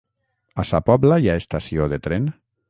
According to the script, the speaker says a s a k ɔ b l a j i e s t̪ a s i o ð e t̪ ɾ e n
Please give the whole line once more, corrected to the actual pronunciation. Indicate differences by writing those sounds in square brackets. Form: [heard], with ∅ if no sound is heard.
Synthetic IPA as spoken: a s a [p] ɔ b l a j [a] e s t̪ a s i o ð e t̪ ɾ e n